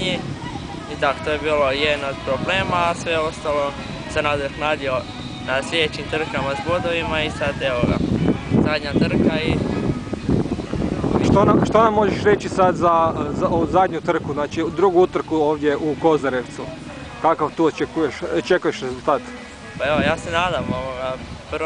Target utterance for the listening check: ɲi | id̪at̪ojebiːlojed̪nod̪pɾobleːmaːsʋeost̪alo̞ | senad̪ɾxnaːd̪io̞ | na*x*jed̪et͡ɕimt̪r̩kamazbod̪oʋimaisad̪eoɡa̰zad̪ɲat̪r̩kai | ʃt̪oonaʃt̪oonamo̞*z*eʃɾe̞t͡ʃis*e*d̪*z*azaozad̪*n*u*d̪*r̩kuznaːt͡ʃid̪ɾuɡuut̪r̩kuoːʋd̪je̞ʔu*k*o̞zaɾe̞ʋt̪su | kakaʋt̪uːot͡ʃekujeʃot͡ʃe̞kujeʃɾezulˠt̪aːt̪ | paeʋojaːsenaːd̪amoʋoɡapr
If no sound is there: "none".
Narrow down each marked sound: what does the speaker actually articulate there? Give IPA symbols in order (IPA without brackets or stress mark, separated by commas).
s, ʒ, a, z, ɲ, t̪, k